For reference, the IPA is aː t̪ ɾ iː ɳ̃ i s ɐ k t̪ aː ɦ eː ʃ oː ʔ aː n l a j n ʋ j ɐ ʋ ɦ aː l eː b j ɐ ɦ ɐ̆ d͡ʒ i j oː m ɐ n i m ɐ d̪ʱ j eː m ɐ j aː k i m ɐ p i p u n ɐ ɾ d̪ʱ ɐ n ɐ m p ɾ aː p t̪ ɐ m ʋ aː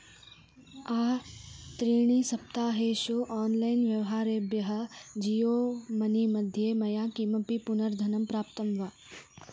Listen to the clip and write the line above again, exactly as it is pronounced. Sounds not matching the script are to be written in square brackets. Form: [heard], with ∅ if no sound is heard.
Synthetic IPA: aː t̪ ɾ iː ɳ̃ i s ɐ [p] t̪ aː ɦ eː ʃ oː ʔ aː n l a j n ʋ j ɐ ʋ ɦ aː [ɾ] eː b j ɐ ɦ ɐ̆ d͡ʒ i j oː m ɐ n i m ɐ d̪ʱ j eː m ɐ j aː k i m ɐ p i p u n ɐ ɾ d̪ʱ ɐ n ɐ m p ɾ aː p t̪ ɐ m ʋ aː